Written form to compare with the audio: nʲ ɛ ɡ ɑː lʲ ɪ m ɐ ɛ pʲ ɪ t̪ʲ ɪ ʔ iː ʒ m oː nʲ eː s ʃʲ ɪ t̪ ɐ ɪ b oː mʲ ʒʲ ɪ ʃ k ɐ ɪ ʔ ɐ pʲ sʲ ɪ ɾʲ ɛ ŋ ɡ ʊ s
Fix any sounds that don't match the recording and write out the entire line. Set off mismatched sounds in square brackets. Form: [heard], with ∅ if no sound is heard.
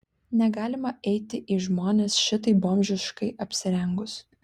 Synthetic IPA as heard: nʲ ɛ ɡ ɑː lʲ ɪ m ɐ ɛ [∅] ɪ t̪ʲ ɪ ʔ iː ʒ m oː nʲ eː s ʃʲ ɪ t̪ ɐ ɪ b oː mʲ ʒʲ ɪ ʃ k ɐ ɪ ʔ ɐ pʲ sʲ ɪ ɾʲ ɛ ŋ ɡ ʊ s